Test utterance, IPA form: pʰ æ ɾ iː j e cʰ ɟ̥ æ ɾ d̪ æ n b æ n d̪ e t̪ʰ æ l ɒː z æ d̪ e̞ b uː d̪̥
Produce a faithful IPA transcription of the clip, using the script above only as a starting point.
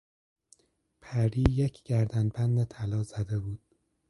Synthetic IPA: pʰ æ ɾ iː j e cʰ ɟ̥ æ ɾ d̪ æ n b æ n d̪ e t̪ʰ æ l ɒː z æ d̪ e̞ b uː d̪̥

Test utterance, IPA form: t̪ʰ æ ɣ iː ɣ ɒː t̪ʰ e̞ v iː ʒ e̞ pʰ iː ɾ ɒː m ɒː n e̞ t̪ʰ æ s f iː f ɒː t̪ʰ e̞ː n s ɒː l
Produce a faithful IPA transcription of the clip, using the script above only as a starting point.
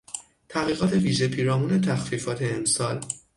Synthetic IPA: t̪ʰ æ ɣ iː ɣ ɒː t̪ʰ e̞ v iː ʒ e̞ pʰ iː ɾ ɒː m uː n e̞ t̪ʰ æ x f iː f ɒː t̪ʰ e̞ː m s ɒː l

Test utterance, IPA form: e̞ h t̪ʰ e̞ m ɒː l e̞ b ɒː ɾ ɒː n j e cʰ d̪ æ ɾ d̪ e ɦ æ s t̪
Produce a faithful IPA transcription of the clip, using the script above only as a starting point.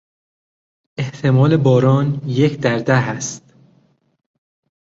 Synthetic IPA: e̞ h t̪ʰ e̞ m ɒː l e̞ b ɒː ɾ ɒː n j e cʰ d̪ æ ɾ d̪ æ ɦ æ s t̪

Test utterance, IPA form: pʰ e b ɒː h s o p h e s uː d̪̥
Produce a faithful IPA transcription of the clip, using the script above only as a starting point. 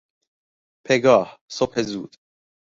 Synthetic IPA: pʰ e ɡ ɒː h s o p h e z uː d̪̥

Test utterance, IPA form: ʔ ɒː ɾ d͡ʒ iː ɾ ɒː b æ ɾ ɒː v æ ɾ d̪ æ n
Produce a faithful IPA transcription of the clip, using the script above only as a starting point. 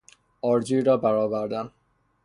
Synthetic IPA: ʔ ɒː ɾ d͡ʒ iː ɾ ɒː b æ ɾ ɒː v æ ɾ d̪ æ n

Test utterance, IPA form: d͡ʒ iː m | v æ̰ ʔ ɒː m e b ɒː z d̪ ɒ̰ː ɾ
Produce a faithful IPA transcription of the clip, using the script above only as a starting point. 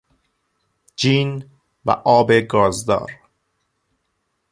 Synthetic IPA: d͡ʒ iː n | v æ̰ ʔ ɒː b e ɡ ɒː z d̪ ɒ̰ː ɾ

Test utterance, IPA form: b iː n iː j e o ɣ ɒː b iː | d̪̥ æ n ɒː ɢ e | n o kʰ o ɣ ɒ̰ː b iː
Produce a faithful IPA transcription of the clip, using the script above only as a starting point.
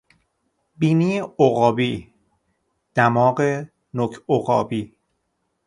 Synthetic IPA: b iː n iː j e o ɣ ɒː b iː | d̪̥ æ m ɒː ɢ e | n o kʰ o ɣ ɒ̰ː b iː

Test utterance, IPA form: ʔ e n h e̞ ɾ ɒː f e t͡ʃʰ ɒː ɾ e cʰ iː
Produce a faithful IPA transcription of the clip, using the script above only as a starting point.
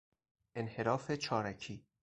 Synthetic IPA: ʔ e n h e̞ ɾ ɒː f e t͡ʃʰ ɒː ɾ æ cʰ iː

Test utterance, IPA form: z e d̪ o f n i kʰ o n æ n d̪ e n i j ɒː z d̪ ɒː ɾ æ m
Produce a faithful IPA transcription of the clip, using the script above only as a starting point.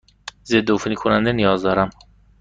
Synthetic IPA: z e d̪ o f n i kʰ o n æ n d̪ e n i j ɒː z d̪ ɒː ɾ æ m

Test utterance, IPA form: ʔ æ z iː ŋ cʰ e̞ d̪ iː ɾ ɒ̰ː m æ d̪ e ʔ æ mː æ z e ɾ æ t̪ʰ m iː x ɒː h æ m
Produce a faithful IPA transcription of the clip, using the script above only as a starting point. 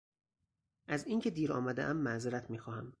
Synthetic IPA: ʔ æ z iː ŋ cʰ e̞ d̪ iː ɾ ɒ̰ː m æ d̪ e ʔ æ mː æ z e ɾ æ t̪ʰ m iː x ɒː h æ m

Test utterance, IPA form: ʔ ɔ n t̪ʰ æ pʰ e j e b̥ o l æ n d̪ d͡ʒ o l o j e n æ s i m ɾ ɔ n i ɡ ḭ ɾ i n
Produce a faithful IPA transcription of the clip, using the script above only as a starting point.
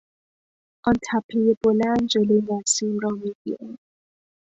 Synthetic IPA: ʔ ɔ n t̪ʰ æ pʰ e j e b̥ o l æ n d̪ d͡ʒ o l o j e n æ s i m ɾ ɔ m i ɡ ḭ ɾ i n

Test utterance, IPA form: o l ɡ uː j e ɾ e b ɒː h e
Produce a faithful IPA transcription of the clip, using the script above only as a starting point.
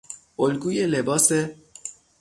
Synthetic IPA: o l ɡ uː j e l e b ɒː s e

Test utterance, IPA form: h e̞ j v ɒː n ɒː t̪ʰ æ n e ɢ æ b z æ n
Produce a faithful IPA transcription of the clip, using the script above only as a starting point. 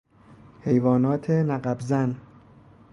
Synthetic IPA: h e̞ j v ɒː n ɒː t̪ʰ e n æ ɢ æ b z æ n

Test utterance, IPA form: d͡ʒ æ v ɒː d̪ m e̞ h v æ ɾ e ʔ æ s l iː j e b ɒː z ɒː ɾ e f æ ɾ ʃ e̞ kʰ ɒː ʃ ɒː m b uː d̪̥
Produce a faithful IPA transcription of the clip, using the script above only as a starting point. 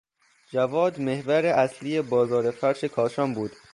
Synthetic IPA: d͡ʒ æ v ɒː d̪ m e̞ h v æ ɾ e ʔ æ s l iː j e b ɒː z ɒː ɾ e f æ ɾ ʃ e̞ kʰ ɒː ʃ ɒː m b uː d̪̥

